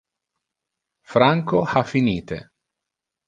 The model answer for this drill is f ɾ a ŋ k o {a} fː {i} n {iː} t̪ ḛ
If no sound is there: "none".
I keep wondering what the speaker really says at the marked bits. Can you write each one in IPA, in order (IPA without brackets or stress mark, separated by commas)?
a, i, iː